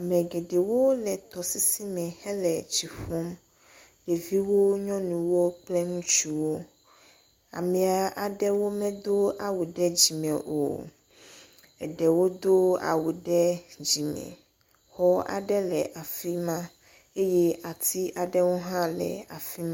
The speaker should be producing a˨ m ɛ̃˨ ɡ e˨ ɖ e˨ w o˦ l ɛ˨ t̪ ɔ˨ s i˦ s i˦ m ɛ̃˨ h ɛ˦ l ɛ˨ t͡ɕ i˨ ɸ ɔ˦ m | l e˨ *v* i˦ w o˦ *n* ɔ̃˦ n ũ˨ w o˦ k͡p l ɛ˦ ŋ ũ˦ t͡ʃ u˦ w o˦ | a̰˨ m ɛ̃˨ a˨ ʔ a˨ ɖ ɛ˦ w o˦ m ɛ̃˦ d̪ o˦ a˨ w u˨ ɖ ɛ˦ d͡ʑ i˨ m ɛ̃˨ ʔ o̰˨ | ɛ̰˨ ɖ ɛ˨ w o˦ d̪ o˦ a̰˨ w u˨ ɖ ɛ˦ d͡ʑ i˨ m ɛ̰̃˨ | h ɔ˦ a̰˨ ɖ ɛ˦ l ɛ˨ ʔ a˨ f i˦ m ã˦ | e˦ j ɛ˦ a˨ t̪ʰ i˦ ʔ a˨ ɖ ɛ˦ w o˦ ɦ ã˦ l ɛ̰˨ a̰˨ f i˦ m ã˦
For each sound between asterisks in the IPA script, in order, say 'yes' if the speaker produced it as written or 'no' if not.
yes, no

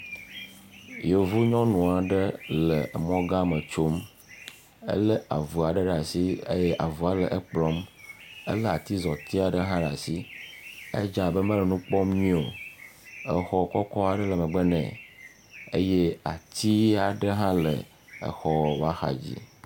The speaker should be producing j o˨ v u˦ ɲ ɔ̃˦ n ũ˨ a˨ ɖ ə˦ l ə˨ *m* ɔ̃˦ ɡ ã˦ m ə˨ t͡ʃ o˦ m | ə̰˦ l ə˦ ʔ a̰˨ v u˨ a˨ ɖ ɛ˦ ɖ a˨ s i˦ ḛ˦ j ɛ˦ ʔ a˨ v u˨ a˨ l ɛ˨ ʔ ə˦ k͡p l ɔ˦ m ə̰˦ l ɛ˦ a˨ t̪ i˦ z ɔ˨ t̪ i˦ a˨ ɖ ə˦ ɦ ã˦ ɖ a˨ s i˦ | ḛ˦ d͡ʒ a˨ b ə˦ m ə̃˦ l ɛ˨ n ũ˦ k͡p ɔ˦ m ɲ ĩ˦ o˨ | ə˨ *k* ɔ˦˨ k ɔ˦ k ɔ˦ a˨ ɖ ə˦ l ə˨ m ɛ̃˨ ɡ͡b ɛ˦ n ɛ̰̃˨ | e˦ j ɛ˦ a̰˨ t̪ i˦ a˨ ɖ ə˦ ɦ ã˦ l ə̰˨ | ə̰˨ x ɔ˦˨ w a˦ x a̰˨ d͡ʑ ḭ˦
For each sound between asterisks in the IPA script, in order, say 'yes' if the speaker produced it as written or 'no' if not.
yes, no

